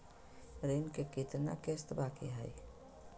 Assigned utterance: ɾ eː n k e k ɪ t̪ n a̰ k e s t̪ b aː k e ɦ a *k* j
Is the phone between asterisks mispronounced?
yes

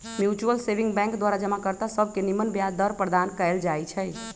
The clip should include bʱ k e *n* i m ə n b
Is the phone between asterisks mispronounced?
no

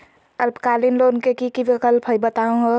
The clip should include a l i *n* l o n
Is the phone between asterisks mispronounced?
no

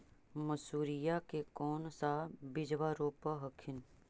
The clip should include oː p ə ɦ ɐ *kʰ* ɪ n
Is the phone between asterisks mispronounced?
no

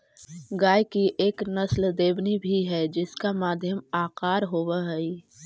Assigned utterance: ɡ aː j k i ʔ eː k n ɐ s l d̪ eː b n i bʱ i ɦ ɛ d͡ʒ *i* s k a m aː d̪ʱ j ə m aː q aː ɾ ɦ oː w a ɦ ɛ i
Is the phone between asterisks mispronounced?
yes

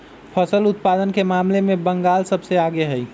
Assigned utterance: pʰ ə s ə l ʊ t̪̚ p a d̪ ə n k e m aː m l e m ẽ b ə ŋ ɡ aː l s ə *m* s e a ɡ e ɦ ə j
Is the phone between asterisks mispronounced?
yes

